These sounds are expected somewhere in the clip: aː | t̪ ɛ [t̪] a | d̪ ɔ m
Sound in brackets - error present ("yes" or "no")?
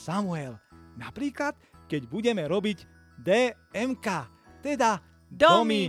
yes